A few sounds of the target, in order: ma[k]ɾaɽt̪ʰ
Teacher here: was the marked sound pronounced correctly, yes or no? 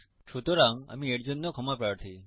no